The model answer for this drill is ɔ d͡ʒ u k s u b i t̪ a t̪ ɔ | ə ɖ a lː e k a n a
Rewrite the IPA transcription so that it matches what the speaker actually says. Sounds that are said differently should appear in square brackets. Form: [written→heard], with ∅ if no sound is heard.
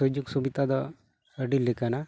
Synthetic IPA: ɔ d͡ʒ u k s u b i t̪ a [t̪→d̪] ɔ | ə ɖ [a→i] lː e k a n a